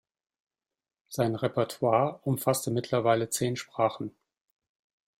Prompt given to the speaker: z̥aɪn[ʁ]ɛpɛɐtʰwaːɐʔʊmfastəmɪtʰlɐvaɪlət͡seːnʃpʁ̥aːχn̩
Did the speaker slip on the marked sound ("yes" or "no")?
no